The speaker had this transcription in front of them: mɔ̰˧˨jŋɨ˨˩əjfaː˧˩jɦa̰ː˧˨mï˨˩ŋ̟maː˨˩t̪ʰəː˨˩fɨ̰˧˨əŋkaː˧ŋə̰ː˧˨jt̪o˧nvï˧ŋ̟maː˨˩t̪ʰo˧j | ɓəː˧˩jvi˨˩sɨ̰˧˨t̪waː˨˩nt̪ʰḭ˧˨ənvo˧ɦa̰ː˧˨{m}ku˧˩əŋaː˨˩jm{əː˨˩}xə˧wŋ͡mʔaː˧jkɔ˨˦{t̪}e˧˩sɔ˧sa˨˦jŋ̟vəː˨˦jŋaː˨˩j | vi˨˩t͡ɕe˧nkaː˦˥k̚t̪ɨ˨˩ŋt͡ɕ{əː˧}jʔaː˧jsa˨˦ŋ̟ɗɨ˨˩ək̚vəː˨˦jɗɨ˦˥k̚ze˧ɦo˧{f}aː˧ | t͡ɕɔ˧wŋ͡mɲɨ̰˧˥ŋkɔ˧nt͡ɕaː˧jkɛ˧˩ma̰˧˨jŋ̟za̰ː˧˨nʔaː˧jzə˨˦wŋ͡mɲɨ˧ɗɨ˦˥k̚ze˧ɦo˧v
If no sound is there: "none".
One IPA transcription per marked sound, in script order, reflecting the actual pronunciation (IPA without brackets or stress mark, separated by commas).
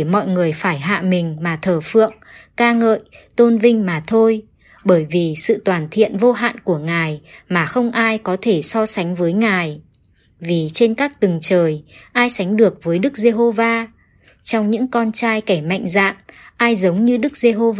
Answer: n, aː˨˩, t̪ʰ, əː˨˩, v